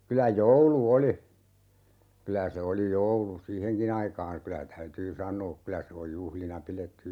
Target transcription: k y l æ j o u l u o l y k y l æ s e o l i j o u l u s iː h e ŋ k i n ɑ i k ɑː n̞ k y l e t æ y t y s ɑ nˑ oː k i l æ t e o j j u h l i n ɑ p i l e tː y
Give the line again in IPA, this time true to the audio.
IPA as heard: k y l æ j o u l u o l i k y l æ s e o l i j o u l u s iː h e ŋ k i n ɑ i k ɑː n̞ k y l æ t æ y t yː s ɑ nˑ oː k y l æ s e o j j u h l i n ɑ p i l e tː y

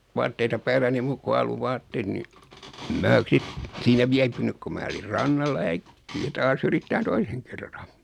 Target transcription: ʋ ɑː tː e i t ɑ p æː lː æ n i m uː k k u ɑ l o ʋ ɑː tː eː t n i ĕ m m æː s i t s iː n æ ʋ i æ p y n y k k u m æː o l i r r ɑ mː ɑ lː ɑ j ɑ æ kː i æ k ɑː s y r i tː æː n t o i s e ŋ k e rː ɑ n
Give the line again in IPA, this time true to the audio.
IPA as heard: ʋ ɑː tː e i t ɑ p æː lː æ n i m uː k k u ɑ l u ʋ ɑː tː eː t n i ĕ m m æː s i t s iː n æ ʋ i æ p y n y k k u m æː o l i r r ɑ nː ɑ lː ɑ j ɑ æ kː i æ t ɑː s y r i tː æː n t o i s e ŋ k e rː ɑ n

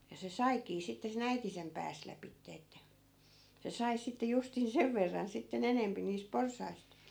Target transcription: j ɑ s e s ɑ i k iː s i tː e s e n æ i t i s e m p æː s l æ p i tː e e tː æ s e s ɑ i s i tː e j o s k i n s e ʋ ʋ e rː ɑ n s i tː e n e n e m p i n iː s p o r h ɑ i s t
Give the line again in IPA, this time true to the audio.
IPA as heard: j ɑ s e s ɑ i k iː s i tː e s e n æ i t i s e m p æː s l æ p i tː e e tː æ s e s ɑ i s i tː e j u s t i n s e ʋ ʋ e rː ɑ n s i tː e n e n e m p i n iː s p o r s ɑ i s t

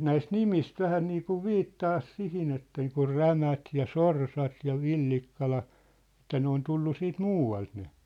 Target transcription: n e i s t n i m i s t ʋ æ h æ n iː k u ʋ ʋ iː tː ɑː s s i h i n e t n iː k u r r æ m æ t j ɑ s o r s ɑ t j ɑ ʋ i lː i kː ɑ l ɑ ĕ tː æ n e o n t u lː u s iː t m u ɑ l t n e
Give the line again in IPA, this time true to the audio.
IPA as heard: n æ i s t n i m i s t ʋ æ h æ n iː k u ʋ ʋ iː tː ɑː s s i h i n e t n iː k u r r æ m æ t j ɑ s o r s ɑ t j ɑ ʋ i lː i kː ɑ l ɑ ĕ tː æ n e o n t u lː u s iː t m uː ɑ l t n e

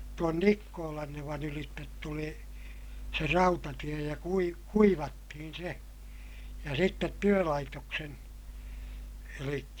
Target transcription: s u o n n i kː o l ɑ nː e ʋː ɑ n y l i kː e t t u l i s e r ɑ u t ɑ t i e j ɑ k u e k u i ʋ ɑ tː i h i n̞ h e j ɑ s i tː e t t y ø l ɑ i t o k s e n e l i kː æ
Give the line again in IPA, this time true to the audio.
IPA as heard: t u o n n i kː oː l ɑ nː e ʋ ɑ n y l i tː e t t u l i s e r ɑ u t ɑ t i e j ɑ k u i k u i ʋ ɑ tː i h i n̞ s e j ɑ s i tː e t t y ø l ɑ i t o k s e n e l i kː æ

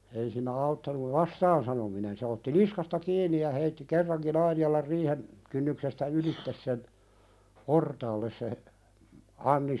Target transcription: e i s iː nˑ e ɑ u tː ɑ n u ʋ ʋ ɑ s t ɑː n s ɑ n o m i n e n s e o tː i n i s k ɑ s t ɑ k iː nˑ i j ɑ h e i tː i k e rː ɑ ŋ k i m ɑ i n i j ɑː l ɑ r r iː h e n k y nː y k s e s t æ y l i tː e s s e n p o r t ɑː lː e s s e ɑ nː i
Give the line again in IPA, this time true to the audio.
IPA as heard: e i s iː nˑ æ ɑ u tː ɑ n u ʋ ʋ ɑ s t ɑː n s ɑ n o m i n e n s e o tː i n i s k ɑ s t ɑ k iː nˑ i j ɑ h e i tː i k e rː ɑ ŋ k i n ɑ i n i j ɑ l ɑ r r iː h e n k y nː y k s e s t æ y l i tː e s s e n p o r t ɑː lː e s s e ɑ nː i

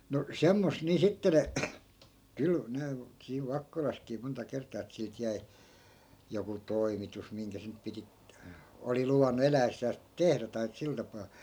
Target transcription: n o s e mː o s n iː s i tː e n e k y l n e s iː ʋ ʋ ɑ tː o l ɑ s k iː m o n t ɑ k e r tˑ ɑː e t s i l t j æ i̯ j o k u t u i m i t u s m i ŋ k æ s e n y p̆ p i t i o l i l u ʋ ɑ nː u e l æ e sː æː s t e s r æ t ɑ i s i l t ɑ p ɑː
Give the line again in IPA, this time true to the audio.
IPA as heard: n o s e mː o s n iː s i tː e n e k y l n e s iː ʋ ʋ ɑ kː o l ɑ s k iː m o n t ɑ k e r tˑ ɑː e t s i l t j æ i̯ j o k u t o i m i t u s m i ŋ k æ s e n y p̆ p i t i o l i l u ʋ ɑ nː u e l æ e sː æː s t e h r æ t ɑ i s i l t ɑ p ɑː

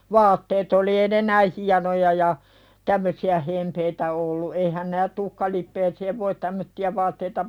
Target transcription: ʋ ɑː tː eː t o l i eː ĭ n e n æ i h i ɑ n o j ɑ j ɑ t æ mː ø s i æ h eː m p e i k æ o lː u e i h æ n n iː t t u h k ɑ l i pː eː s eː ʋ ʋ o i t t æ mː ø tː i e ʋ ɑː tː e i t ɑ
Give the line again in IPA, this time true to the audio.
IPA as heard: ʋ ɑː tː eː t o l i eː ĭ n e n æ i h i ɑ n o j ɑ j ɑ t æ mː ø s i æ h e m p e i t æ o lː u e i h æ n n æː t t u h k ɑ l i pː eː s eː ʋ ʋ o i t t æ mː ø tː i æ ʋ ɑː tː e i t ɑ

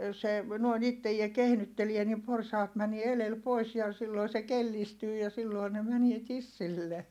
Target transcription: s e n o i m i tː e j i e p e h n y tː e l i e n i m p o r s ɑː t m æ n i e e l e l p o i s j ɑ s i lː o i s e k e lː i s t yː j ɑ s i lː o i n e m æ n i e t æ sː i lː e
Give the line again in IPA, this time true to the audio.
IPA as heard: s e n o i n i tː e j i e k e h n y tː e l i e n i m p o r s ɑː t m æ n i e e l e l p o i s j ɑ s i lː o i s e k e lː i s t yː j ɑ s i lː o i n e m æ n i e t i sː i lː e

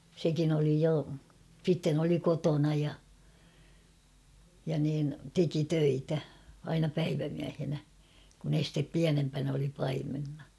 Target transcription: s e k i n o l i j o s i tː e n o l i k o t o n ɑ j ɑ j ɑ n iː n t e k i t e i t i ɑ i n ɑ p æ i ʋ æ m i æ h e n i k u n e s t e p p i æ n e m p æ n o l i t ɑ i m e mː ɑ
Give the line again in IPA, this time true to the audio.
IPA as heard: s e k i n o l i j o s i tː e n o l i k o t o n ɑ j ɑ j ɑ n iː n t e k i t ø i t æ ɑ i n ɑ p æ i ʋ æ m i æ h e n æ k u n e s t e p p i æ n e m p æ n o l i p ɑ i m e nː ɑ

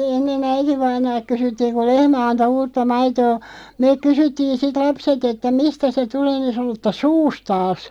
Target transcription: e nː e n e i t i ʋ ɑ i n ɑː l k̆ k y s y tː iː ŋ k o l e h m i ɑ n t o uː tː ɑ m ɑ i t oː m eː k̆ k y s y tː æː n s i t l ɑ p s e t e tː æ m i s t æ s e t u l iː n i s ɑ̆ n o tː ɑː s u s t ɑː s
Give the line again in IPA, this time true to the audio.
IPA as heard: e nː e n æ i t i ʋ ɑ i n ɑː l k̆ k y s y tː iː ŋ k u l e h m æ ɑ n t o uː tː ɑ m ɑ i t oː m eː k̆ k y s y tː iː n s i t l ɑ p s e t e tː æ m i s t æ s e t u l eː n i s ɑ̆ n o tː ɑ s uː s t ɑː s

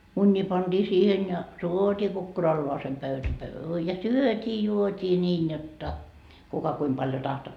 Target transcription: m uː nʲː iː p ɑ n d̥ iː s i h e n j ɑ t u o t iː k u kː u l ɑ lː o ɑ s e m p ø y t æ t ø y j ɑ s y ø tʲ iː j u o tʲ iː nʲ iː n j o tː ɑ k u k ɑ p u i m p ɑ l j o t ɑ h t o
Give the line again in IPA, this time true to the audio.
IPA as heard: m u nʲː iː p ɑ n d̥ iː s iː h e n j ɑ t u o t iː k u kː u r ɑ lː o ɑ s e m p ø y t æ p ø y j ɑ s y ø tʲ iː j u o tʲ iː nʲ iː n j o tː ɑ k u k ɑ k u i m p ɑ l j o t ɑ h t o

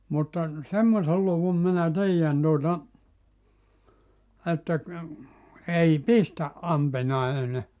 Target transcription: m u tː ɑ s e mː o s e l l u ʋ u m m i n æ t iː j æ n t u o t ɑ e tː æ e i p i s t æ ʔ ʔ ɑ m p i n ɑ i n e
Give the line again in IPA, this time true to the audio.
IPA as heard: m u tː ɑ s e mː o s e l l u ʋ u m m i n æ t iː j æ n t u o t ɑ e tː æ e i p i s t æ ʔ ʔ ɑ m p i n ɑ i n e

